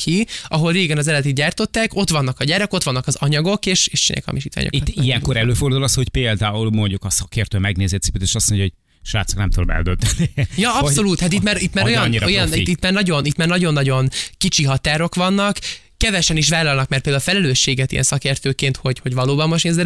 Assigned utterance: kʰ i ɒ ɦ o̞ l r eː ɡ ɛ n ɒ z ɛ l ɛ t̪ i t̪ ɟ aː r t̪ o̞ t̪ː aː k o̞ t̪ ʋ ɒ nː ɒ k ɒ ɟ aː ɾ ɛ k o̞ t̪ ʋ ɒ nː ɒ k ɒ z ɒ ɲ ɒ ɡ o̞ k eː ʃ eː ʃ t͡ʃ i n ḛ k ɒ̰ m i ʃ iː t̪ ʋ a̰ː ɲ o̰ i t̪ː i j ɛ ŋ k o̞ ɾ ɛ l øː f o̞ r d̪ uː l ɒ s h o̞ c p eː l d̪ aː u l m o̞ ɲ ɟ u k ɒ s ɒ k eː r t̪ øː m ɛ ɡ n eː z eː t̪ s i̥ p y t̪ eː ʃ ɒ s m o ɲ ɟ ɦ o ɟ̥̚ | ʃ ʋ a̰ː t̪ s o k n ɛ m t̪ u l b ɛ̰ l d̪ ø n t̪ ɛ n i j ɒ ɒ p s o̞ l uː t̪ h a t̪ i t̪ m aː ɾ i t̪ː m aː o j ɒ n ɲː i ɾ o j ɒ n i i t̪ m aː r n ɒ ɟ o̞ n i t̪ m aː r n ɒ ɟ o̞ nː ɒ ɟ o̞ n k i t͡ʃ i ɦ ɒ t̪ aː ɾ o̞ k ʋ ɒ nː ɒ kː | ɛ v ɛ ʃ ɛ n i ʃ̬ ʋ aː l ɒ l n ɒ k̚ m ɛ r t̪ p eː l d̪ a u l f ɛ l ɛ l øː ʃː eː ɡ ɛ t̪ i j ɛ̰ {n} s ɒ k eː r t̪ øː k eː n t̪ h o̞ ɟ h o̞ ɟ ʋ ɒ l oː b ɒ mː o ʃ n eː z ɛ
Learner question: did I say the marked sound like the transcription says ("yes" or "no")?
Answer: yes